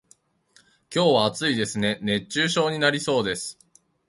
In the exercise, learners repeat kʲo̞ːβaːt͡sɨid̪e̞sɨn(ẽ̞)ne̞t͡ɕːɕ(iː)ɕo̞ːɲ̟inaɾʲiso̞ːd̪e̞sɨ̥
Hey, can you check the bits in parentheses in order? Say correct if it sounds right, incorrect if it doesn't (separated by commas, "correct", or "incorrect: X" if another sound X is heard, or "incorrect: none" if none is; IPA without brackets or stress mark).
incorrect: e̞, incorrect: ɨː